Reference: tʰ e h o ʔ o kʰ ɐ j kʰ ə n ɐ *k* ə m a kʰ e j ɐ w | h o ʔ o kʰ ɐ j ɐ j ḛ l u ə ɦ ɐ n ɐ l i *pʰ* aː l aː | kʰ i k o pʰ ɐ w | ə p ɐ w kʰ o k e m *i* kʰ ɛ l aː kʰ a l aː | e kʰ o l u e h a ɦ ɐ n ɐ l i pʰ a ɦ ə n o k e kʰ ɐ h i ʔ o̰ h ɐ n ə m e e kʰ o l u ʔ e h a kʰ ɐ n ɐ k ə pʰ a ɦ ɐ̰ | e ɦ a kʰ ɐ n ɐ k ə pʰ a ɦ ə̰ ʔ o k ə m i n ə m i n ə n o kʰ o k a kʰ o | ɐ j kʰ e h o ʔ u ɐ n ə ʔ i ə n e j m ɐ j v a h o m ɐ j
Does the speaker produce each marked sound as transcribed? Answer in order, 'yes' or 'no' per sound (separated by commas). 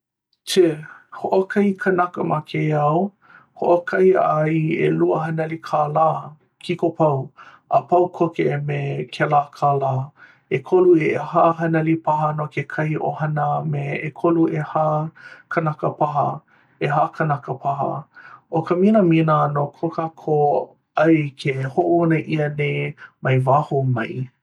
yes, no, no